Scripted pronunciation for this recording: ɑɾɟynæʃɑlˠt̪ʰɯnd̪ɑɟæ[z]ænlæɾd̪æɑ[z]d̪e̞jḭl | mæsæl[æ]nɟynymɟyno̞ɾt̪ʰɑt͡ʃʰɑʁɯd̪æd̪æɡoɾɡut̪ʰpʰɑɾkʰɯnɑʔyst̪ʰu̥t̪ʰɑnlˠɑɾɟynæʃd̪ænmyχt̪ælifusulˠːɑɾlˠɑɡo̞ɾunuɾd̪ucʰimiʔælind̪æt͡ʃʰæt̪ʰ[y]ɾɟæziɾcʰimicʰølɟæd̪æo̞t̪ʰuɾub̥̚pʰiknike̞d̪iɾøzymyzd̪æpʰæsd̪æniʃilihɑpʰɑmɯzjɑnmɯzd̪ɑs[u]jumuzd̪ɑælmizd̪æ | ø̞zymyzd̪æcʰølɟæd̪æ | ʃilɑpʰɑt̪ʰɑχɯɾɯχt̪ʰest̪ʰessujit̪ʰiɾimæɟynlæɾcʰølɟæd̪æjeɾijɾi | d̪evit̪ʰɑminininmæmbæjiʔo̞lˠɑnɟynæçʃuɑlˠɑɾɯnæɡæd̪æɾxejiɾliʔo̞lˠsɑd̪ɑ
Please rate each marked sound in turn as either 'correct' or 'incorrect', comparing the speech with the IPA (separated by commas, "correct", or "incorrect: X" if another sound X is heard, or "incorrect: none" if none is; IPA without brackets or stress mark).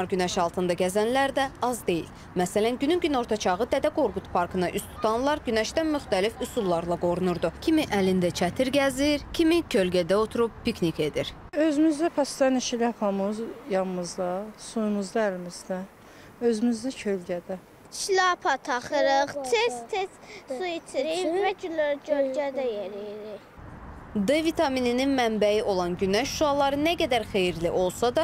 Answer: correct, correct, correct, incorrect: i, correct